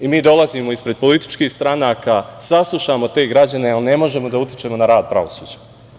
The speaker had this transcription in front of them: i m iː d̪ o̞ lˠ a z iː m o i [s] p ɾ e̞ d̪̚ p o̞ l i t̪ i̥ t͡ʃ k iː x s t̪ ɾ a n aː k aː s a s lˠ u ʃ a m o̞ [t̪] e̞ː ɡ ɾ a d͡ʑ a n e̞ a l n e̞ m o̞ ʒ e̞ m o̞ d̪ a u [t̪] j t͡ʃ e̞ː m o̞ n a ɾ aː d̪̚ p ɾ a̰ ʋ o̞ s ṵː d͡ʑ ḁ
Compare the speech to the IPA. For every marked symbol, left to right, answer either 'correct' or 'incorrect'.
correct, correct, correct

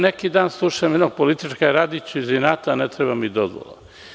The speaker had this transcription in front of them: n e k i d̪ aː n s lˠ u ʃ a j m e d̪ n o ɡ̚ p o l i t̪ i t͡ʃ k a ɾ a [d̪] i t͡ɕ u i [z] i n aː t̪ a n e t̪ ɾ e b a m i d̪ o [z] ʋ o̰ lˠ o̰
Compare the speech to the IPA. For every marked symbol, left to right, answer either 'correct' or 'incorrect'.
correct, correct, correct

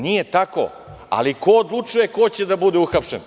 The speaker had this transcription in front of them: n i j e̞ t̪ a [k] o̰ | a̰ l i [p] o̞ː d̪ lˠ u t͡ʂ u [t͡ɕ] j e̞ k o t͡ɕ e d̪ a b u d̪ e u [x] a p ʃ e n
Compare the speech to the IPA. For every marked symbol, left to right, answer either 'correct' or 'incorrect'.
correct, incorrect: k, incorrect: none, correct

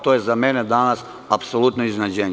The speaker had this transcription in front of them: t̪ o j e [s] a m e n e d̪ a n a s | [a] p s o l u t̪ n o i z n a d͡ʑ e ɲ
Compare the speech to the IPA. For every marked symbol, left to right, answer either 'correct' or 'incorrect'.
incorrect: z, correct

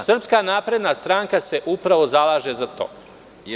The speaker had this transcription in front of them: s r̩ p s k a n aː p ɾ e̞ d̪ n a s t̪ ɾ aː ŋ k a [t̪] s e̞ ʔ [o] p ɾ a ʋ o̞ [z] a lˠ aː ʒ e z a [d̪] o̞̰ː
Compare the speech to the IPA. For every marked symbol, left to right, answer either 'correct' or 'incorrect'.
incorrect: none, incorrect: u, correct, incorrect: t̪

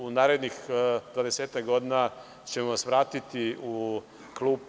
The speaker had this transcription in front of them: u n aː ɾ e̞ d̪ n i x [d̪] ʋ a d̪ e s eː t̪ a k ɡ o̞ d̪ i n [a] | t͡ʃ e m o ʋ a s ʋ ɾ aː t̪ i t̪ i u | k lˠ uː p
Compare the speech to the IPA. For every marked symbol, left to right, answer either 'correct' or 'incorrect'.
correct, correct

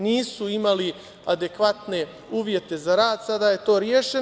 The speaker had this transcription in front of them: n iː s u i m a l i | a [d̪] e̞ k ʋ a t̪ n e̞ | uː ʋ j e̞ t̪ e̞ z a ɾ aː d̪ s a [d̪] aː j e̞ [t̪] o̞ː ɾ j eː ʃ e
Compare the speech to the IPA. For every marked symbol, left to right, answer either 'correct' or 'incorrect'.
correct, correct, correct

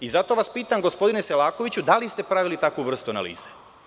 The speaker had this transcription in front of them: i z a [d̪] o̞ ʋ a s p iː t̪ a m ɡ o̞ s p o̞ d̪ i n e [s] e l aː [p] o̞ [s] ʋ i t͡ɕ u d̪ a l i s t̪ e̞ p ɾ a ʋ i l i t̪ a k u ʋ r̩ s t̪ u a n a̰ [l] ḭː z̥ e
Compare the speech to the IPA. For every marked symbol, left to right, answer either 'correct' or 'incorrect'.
incorrect: t̪, correct, incorrect: k, incorrect: none, correct

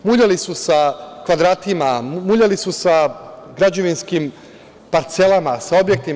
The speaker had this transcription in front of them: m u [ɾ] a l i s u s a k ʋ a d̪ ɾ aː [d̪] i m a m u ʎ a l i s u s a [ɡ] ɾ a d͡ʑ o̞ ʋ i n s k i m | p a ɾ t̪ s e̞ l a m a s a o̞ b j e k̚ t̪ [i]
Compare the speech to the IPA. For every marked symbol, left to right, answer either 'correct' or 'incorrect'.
incorrect: ʎ, incorrect: t̪, correct, correct

